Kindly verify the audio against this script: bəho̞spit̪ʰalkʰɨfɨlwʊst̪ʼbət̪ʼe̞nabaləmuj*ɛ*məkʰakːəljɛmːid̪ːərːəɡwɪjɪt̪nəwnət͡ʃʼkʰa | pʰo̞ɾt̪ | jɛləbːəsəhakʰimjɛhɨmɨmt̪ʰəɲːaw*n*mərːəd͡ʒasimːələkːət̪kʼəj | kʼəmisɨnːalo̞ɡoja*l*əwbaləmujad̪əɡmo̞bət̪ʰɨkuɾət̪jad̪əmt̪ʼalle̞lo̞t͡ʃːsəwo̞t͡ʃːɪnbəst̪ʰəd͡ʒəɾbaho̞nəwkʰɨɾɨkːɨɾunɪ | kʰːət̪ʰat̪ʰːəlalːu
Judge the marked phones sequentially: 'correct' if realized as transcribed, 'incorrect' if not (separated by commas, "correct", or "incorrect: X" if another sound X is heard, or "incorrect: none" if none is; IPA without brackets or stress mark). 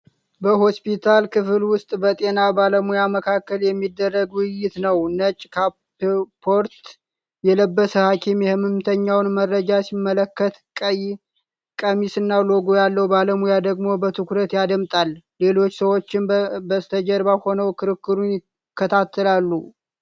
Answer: incorrect: a, correct, incorrect: lː